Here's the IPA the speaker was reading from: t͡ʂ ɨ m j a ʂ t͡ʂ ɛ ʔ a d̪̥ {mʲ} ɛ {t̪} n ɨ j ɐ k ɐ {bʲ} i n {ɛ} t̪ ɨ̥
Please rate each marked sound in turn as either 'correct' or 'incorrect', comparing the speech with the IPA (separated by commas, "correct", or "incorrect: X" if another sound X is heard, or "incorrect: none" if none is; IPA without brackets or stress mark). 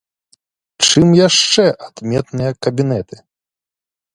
correct, correct, correct, correct